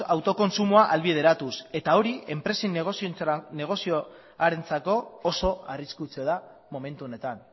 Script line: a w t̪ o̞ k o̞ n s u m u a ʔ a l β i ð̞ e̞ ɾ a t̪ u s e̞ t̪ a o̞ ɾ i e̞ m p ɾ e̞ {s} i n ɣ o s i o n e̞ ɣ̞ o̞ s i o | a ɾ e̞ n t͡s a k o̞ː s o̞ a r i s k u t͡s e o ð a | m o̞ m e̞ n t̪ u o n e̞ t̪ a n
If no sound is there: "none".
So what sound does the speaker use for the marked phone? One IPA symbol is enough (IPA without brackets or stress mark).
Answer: s